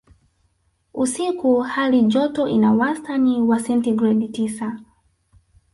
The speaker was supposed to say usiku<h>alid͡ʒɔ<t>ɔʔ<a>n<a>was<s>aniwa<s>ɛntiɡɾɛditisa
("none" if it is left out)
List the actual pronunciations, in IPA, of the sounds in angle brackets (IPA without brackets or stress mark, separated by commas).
h, t, i, a, t, s